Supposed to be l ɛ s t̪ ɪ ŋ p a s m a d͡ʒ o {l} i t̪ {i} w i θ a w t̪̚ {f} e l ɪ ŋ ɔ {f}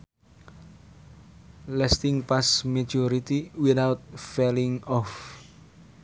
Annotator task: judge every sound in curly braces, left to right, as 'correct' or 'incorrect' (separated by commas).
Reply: incorrect, correct, correct, correct